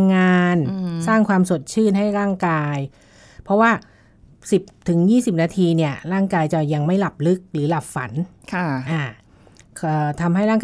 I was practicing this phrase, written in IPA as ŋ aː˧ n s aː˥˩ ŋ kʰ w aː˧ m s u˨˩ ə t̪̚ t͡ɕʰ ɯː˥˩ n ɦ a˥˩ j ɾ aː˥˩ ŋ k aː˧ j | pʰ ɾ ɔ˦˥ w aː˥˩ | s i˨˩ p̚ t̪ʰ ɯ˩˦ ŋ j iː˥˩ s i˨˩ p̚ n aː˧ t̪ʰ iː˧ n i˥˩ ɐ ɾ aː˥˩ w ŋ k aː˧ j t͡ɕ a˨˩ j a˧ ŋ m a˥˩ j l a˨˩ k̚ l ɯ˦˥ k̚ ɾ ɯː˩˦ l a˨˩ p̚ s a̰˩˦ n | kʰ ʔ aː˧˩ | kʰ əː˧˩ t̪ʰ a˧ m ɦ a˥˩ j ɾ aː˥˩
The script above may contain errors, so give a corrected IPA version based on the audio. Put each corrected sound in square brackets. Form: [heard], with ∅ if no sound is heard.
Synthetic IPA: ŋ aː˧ n s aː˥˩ ŋ kʰ w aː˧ m s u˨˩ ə t̪̚ t͡ɕʰ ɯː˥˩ n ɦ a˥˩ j ɾ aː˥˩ ŋ k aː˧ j | pʰ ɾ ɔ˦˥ w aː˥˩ | s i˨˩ p̚ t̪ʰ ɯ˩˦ ŋ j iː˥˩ s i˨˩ p̚ n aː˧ t̪ʰ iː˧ n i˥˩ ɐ ɾ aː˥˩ [∅] ŋ k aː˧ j t͡ɕ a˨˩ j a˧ ŋ m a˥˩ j l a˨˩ [p̚] l ɯ˦˥ k̚ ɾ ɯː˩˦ l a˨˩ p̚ [f] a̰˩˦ n | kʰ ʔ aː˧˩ | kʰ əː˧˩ t̪ʰ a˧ m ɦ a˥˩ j ɾ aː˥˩